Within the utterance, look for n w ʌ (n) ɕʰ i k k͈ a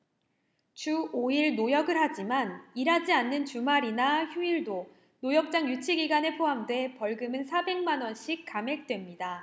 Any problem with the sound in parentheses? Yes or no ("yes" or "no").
no